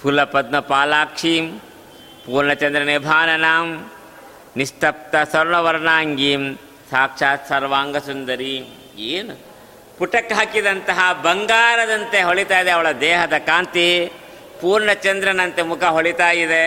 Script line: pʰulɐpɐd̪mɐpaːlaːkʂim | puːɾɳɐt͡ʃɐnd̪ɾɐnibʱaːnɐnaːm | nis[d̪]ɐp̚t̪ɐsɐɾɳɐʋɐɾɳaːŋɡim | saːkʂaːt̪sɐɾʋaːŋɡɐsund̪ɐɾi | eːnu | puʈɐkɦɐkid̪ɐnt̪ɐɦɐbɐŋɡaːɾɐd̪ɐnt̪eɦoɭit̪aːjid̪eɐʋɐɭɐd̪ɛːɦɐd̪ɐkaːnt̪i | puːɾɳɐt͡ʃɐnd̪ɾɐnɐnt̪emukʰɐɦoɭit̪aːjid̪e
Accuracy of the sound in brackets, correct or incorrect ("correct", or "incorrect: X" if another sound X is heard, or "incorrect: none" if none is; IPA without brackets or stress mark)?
incorrect: t̪